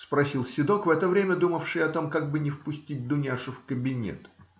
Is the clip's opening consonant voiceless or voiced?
voiceless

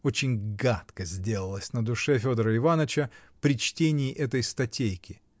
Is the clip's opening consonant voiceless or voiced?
voiceless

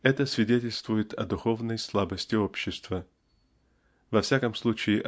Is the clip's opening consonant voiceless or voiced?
voiceless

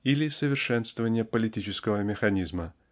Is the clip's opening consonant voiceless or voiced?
voiced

